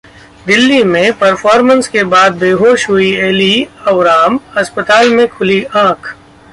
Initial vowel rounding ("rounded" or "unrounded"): unrounded